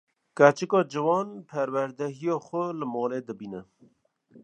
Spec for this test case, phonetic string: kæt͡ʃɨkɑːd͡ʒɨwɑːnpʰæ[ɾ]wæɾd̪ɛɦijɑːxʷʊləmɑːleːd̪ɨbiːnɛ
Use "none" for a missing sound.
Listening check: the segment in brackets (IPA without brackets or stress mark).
ɾ